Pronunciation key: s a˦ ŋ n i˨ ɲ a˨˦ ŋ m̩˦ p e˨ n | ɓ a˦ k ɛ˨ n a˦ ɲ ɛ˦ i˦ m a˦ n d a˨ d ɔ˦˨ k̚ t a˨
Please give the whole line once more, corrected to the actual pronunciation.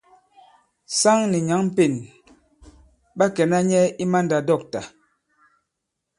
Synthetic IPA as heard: s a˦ ŋ n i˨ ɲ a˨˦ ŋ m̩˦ p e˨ n | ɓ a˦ k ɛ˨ n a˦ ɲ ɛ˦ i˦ m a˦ n d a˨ d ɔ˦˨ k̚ t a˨